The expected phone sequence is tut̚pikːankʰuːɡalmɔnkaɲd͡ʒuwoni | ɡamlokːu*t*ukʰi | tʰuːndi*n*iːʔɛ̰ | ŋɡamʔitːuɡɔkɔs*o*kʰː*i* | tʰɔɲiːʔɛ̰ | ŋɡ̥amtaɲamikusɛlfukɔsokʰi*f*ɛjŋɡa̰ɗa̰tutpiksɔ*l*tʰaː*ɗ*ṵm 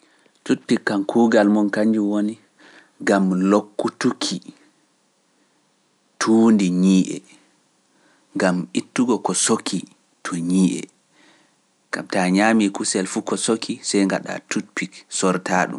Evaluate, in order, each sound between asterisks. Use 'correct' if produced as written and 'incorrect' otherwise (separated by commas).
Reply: correct, incorrect, correct, correct, incorrect, incorrect, correct